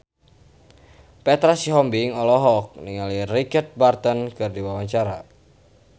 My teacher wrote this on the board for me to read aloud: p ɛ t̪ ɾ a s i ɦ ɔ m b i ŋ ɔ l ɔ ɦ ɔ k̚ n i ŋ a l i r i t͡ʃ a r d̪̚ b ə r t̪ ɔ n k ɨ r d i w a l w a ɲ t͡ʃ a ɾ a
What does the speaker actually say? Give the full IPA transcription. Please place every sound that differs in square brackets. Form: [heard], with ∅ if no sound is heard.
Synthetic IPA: p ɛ t̪ ɾ a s i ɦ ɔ m b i ŋ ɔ l ɔ ɦ ɔ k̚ n i ŋ a l i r i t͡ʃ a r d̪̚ b [a] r t̪ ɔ n k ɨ r d i w a [∅] w a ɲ t͡ʃ a ɾ a